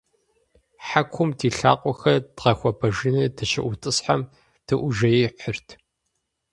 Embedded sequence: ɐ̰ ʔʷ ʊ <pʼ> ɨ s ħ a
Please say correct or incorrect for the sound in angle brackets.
incorrect